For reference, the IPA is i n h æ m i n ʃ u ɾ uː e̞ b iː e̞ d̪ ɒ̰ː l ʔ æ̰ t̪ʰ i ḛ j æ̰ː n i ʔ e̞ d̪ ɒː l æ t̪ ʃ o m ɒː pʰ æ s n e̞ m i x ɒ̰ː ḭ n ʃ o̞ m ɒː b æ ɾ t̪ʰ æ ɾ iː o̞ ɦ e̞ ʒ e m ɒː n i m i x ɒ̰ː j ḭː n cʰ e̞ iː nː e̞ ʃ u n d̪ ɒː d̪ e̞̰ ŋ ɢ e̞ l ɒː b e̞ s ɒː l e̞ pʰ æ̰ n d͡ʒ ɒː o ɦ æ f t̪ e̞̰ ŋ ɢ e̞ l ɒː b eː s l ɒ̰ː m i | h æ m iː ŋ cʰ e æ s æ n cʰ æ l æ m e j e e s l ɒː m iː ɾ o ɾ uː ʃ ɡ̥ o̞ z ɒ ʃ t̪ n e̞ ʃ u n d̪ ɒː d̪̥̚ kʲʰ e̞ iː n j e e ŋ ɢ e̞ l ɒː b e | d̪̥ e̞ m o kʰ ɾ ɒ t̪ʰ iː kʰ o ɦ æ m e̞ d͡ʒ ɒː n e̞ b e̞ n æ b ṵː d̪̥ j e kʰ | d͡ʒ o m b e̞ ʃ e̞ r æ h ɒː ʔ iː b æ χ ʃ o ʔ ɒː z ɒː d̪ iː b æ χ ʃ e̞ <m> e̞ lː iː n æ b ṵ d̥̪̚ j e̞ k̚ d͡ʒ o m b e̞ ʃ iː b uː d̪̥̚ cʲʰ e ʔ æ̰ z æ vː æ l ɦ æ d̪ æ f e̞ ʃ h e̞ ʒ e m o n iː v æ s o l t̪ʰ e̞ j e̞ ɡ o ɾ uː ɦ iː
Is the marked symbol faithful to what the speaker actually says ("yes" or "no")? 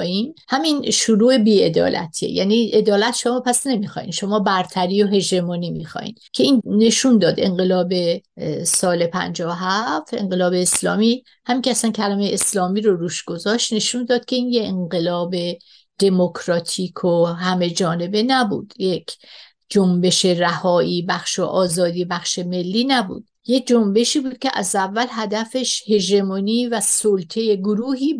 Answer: yes